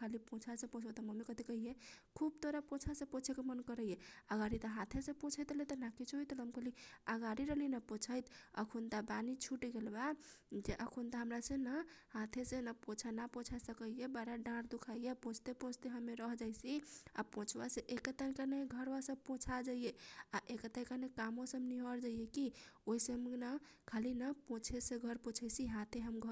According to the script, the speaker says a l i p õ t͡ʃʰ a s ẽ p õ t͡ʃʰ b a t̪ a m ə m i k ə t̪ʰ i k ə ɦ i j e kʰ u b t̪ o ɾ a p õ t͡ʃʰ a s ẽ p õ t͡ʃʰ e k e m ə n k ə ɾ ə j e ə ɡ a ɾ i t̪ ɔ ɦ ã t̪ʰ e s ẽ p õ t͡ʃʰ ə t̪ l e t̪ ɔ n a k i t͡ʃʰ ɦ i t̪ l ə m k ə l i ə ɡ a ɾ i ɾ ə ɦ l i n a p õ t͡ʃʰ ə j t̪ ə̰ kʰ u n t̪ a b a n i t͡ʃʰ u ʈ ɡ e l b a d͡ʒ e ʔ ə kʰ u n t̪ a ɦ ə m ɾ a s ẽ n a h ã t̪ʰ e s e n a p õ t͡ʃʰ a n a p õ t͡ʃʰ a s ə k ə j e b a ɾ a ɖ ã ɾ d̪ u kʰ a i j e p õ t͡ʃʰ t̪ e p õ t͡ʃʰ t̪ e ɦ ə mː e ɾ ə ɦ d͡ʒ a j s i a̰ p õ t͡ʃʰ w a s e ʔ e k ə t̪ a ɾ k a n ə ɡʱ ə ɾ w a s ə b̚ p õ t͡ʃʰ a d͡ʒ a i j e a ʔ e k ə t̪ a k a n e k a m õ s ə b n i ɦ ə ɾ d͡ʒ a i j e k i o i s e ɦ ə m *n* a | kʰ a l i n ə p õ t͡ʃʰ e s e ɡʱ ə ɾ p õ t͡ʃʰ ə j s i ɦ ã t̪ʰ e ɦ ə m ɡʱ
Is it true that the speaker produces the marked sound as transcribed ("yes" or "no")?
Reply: yes